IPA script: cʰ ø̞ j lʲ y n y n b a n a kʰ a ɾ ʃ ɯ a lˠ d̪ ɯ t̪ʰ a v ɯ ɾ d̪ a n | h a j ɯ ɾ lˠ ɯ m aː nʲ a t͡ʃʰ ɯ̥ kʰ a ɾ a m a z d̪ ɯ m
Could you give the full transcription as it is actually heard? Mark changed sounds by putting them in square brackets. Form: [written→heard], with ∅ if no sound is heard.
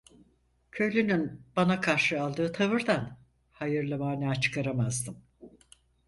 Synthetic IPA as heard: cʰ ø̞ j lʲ y n y n b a n a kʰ a ɾ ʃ ɯ a lˠ d̪ [ɯ→ɯː] t̪ʰ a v ɯ ɾ d̪ a n | h a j ɯ ɾ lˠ ɯ m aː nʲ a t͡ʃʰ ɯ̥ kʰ a ɾ a m a z d̪ ɯ m